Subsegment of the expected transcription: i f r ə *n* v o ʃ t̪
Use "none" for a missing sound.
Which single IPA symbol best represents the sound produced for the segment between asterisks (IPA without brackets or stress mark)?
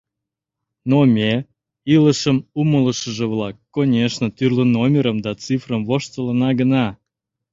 m